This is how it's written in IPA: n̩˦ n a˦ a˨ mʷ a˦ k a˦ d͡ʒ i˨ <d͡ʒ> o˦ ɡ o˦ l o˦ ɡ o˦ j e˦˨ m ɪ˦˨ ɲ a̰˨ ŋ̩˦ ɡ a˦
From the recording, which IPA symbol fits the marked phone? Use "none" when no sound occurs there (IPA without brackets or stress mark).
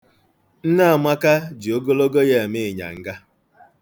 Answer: none